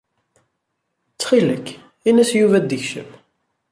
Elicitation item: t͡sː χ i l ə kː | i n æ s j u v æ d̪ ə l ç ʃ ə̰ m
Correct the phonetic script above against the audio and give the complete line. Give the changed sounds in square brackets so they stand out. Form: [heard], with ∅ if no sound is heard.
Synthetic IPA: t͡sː χ i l ə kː | i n æ s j u v æ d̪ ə [∅] ç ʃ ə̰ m